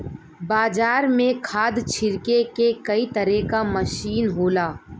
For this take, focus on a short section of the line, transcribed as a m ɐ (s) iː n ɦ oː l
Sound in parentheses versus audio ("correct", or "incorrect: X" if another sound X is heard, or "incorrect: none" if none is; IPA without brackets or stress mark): incorrect: ʃ